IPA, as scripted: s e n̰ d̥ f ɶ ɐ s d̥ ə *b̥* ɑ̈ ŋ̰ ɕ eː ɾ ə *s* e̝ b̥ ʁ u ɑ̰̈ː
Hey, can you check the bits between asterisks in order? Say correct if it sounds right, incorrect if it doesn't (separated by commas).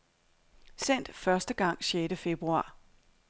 incorrect, incorrect